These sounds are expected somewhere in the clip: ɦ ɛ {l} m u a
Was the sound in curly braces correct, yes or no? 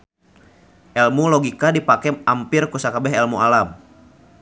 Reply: yes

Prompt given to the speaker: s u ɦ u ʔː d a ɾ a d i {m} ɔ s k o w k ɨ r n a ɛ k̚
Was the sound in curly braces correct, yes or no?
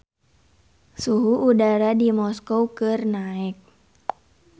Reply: yes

